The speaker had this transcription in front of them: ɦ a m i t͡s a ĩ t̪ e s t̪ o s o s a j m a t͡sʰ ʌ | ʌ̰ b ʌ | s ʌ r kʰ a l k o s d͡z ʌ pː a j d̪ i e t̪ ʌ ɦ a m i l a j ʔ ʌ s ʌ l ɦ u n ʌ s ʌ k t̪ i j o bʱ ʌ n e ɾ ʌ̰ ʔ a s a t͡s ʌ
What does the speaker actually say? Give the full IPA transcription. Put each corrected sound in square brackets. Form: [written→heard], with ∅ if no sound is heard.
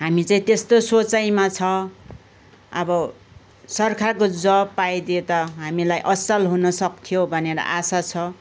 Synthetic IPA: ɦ a m i t͡s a ĩ t̪ e s t̪ o s o [s→t͡s] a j m a t͡sʰ ʌ | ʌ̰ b ʌ | s ʌ r kʰ a [l→r] k o [s→∅] d͡z ʌ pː a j d̪ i e t̪ ʌ ɦ a m i l a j ʔ ʌ s ʌ l ɦ u n ʌ s ʌ k [t̪→t̪ʰ] i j o bʱ ʌ n e ɾ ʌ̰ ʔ a s a [t͡s→t͡sʰ] ʌ